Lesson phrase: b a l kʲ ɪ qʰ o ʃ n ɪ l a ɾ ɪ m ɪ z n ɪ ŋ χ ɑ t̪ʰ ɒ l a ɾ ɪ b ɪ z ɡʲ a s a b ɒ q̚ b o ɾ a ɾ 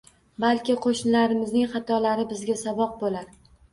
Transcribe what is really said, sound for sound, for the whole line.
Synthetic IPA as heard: b a l kʲ ɪ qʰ o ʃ n ɪ l a ɾ ɪ m ɪ z n ɪ ŋ χ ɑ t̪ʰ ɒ l a ɾ ɪ b ɪ z ɡʲ a s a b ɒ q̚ b o l a ɾ